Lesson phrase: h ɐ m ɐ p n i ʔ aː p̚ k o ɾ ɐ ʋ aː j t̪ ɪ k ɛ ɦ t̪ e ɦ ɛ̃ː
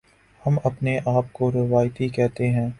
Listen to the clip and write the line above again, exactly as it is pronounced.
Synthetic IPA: h ɐ m ɐ p n e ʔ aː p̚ k o ɾ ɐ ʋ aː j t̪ i k ɛ ɦ t̪ e ɦ ɛ̃ː